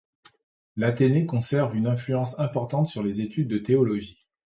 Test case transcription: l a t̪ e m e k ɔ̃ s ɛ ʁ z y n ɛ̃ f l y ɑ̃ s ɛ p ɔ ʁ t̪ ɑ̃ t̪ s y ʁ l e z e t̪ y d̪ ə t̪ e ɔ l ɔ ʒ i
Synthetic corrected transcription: l a t̪ e n e k ɔ̃ s ɛ ʁ v y n ɛ̃ f l y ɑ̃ s ɛ̃ p ɔ ʁ t̪ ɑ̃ t̪ s y ʁ l e z e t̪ y d̪ː ə t̪ e ɔ l ɔ ʒ i